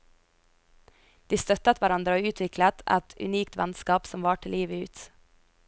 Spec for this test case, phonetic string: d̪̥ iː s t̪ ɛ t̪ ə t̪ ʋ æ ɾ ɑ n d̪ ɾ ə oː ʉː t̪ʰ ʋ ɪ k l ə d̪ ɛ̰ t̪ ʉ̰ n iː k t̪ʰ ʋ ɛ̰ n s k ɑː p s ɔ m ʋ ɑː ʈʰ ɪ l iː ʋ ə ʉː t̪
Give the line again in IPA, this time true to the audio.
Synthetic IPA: d̪̥ iː s t̪ œ t̪ ə t̪ ʋ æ ɾ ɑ n d̪ ɾ ə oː ʉː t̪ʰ ʋ ɪ k l ə t̪ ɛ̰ t̪ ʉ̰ n iː k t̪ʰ ʋ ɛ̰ n s k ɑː p s ɔ m ʋ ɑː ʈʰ ɪ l iː ʋ ə ʉː t̪